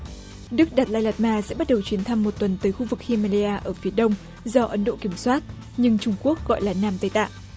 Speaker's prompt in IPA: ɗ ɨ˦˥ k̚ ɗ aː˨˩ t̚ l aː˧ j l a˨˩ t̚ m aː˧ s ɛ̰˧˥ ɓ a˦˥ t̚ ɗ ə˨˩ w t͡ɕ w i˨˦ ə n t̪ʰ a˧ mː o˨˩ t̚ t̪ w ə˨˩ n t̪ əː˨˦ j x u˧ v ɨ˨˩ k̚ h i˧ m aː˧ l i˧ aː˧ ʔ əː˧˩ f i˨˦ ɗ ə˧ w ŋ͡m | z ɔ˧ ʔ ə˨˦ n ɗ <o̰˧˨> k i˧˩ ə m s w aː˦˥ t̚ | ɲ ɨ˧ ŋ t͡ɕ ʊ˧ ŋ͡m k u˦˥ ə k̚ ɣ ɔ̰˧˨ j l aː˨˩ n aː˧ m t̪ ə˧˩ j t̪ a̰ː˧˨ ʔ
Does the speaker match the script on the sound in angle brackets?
yes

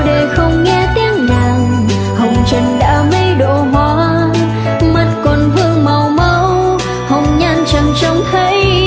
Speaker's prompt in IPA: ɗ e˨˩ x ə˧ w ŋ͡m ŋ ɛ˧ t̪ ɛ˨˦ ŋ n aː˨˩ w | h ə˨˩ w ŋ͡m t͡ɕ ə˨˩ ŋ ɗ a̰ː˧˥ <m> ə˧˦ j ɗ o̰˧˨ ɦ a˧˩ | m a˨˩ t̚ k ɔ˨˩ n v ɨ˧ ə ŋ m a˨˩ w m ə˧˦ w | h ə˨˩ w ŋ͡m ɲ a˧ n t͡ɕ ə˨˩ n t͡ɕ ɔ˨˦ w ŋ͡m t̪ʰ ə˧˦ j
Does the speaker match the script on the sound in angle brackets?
yes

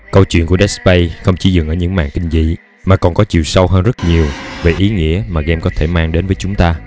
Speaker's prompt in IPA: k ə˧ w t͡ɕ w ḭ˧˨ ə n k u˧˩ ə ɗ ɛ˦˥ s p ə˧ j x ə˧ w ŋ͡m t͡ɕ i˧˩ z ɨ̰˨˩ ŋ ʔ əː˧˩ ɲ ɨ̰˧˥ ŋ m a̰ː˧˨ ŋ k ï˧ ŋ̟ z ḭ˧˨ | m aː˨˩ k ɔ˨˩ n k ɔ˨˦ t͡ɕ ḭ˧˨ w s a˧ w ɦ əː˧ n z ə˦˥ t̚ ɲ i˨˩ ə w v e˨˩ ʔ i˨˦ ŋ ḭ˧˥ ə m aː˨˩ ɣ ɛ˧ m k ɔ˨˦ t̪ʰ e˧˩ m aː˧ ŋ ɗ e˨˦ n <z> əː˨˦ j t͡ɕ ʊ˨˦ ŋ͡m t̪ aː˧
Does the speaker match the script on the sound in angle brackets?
no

